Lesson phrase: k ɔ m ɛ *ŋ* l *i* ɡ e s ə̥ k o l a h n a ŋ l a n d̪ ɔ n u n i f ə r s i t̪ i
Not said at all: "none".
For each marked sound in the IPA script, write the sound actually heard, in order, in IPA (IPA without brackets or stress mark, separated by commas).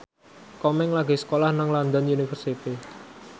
ŋ, a